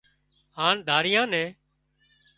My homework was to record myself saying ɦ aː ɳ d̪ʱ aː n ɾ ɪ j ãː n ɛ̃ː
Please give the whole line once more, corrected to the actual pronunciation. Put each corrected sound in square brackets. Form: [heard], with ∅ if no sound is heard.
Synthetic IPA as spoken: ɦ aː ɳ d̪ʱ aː [∅] ɾ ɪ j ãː n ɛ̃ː